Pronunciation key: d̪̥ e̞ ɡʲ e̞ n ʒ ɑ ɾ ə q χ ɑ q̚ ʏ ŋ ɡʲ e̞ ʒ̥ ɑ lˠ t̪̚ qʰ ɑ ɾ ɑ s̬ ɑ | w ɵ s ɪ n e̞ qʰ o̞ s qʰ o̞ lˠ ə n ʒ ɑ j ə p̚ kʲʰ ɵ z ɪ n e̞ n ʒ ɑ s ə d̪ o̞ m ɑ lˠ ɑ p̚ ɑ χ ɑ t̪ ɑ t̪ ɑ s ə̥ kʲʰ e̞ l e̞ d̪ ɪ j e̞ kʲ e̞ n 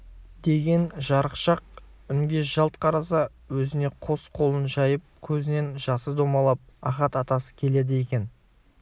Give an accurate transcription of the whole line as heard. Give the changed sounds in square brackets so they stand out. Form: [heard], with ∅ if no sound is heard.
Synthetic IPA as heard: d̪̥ e̞ ɡʲ e̞ n ʒ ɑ ɾ ə q [ʃ] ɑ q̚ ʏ ŋ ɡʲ e̞ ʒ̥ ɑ lˠ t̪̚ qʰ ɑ ɾ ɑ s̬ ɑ | w ɵ [z] ɪ n e̞ qʰ o̞ s qʰ o̞ lˠ ə n ʒ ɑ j ə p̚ kʲʰ ɵ z ɪ n e̞ n ʒ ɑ s ə d̪ o̞ m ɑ lˠ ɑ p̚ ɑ χ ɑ t̪ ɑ t̪ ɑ s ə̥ kʲʰ e̞ l e̞ d̪ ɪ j e̞ kʲ e̞ n